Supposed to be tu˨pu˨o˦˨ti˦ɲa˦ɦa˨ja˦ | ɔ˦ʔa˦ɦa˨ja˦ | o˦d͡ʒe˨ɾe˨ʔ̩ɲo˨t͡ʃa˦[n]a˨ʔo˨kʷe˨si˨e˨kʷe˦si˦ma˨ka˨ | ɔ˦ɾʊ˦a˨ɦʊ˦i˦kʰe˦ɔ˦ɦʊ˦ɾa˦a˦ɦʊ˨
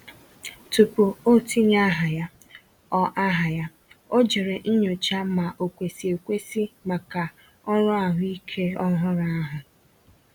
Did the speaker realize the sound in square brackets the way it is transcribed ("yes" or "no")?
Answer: no